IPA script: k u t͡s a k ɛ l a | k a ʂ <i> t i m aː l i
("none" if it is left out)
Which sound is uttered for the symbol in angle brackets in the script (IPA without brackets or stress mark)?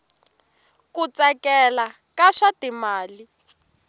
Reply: a